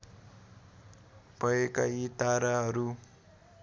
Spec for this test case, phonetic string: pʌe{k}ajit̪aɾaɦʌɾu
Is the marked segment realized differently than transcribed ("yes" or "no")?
no